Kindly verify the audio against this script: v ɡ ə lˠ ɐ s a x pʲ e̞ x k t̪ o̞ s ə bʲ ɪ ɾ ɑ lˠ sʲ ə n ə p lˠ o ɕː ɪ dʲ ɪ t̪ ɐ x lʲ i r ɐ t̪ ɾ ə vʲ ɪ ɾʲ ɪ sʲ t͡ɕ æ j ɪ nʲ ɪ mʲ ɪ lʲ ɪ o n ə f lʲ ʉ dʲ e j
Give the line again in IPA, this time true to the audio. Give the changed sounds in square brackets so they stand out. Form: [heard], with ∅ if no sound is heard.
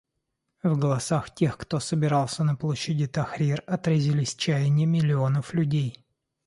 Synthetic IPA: v ɡ ə lˠ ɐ s a x [tʲ] e̞ x k t̪ o̞ s ə bʲ ɪ ɾ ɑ lˠ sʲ ə n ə p lˠ o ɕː ɪ dʲ ɪ t̪ ɐ x [ɾʲ] i r ɐ t̪ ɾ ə [zʲ] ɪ [lʲ] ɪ sʲ t͡ɕ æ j ɪ nʲ ɪ mʲ ɪ lʲ ɪ o n ə f lʲ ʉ dʲ e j